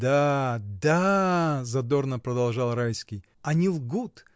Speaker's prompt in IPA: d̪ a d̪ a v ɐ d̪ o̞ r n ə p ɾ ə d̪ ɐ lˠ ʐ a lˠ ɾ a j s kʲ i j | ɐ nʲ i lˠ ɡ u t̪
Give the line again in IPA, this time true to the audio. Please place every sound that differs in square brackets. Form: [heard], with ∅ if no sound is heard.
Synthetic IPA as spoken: d̪ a d̪ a [z] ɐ d̪ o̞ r n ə p ɾ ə d̪ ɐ lˠ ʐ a lˠ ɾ a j s kʲ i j | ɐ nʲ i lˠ ɡ u t̪